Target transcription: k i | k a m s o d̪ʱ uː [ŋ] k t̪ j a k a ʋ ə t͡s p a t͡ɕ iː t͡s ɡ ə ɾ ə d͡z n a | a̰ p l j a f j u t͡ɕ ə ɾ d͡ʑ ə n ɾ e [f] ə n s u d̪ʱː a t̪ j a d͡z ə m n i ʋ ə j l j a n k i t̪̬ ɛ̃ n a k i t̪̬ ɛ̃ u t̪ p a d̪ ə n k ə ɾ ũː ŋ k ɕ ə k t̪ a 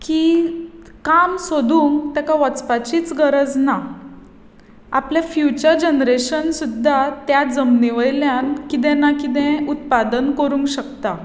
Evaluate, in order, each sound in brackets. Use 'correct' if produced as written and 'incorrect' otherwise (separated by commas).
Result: correct, incorrect